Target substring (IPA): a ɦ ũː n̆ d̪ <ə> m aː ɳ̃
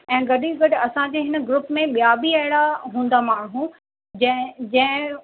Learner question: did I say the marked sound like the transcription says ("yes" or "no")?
no